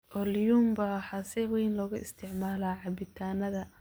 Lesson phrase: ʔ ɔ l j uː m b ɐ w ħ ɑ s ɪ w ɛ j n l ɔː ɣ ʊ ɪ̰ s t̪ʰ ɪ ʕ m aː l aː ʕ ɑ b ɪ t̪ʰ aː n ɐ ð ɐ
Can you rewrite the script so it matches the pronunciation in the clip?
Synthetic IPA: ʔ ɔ l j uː m b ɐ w ħ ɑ s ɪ w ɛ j n l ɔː ɣ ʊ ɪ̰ s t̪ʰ ɪ ʕ m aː l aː ʕ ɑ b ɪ t̪ʰ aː n ɐ ð ɐ